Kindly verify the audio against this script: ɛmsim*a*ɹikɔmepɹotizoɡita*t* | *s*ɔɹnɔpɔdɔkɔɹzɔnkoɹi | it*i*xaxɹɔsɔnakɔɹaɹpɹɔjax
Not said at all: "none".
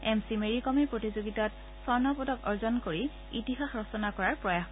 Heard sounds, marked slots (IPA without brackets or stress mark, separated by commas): e, t, s, i